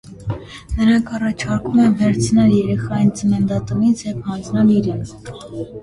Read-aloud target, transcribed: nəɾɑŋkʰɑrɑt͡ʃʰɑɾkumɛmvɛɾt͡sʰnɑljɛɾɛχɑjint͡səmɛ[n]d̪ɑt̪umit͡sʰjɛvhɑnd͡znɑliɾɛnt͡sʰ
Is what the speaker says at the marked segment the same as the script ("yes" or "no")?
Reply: yes